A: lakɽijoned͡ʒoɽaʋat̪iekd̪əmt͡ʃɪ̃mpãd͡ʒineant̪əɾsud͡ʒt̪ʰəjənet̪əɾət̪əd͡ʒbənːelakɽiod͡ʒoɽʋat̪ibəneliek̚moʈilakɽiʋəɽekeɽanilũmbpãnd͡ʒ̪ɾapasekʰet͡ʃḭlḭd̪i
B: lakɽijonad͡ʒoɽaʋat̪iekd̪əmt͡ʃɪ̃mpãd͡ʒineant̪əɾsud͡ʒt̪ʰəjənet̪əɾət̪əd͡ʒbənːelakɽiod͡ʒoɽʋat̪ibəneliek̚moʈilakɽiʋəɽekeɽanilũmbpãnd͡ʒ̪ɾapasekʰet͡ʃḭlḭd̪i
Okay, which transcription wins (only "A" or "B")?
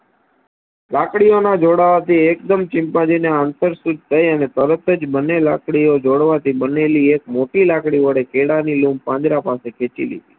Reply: B